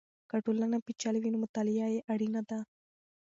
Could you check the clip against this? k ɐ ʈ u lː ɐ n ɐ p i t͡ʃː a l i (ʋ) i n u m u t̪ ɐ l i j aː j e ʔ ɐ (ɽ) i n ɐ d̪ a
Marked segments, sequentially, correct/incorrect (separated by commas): correct, correct